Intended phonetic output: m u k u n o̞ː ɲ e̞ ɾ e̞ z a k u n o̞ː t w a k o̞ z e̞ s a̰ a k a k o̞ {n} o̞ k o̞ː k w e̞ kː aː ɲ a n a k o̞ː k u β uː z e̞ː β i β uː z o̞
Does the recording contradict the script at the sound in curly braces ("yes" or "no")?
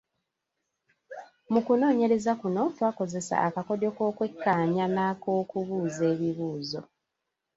yes